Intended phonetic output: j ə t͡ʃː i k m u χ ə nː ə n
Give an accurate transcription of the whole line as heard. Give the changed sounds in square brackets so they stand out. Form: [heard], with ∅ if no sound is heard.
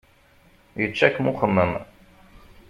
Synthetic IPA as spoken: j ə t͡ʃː [æ] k m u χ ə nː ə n